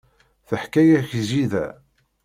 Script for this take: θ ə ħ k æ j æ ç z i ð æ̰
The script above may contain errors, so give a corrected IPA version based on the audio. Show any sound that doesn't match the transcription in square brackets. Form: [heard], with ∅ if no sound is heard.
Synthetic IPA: θ ə ħ k æ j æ ç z i ð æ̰